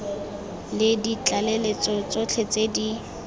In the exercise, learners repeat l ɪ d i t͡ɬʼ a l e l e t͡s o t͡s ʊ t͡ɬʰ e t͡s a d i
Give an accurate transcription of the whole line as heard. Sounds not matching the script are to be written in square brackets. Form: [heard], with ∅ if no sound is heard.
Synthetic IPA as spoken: l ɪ d i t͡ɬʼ a l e l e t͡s [ɔ] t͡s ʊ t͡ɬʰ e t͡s [e] d i